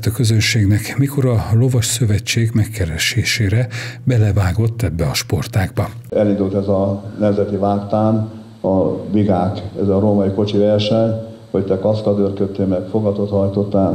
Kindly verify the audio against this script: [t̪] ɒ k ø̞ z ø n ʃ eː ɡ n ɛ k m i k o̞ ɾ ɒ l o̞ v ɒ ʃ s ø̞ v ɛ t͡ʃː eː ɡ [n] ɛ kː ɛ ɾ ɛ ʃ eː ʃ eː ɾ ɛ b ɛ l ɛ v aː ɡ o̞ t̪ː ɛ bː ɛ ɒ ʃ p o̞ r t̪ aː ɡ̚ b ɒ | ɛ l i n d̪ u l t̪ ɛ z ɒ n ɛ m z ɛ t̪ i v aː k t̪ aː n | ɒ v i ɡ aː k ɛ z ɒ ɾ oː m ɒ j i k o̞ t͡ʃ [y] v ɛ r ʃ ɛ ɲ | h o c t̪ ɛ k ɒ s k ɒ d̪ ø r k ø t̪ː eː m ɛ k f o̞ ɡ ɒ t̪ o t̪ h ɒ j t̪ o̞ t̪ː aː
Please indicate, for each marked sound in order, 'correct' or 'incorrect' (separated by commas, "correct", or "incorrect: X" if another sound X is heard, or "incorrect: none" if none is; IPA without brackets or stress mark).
correct, incorrect: m, incorrect: i